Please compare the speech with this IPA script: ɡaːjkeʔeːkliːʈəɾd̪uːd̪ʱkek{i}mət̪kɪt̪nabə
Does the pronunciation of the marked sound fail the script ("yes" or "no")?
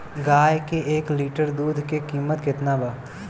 yes